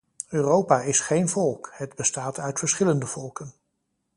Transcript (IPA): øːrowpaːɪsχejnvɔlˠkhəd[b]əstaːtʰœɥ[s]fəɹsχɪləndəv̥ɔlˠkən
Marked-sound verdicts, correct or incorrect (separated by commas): correct, incorrect